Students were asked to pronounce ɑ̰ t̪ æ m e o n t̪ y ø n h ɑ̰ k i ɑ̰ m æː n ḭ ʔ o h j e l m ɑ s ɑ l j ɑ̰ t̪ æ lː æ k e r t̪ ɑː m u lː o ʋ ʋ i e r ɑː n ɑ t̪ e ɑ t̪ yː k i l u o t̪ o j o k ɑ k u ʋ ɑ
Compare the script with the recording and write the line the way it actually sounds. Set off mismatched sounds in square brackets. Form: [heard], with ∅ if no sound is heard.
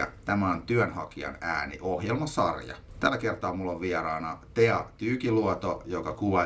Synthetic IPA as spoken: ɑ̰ t̪ æ m [æ] o n t̪ y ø n h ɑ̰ k i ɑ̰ [n] æː n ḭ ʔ o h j e l m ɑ s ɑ [r] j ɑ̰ t̪ æ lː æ k e r t̪ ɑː m u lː o ʋ ʋ i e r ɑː n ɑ t̪ e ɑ t̪ yː k i l u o t̪ o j o k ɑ k u ʋ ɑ